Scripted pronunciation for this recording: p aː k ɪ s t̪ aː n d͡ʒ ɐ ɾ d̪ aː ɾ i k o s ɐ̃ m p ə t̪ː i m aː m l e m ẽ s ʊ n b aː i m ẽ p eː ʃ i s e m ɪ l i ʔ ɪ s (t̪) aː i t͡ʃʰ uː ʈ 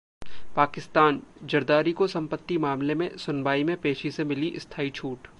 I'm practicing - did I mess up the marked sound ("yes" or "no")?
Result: yes